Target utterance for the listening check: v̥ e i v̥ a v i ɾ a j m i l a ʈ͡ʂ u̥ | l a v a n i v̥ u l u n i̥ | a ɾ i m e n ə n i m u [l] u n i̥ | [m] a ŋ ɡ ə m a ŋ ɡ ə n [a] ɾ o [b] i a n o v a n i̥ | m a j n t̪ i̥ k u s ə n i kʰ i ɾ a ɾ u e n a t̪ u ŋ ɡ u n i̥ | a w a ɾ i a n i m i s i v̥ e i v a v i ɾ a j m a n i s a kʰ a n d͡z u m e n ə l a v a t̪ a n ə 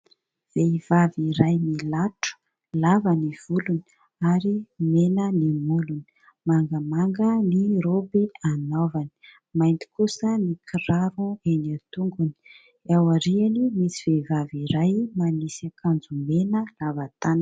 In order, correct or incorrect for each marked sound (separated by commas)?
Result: correct, correct, incorrect, correct